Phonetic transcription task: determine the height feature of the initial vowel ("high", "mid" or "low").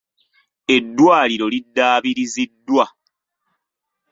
mid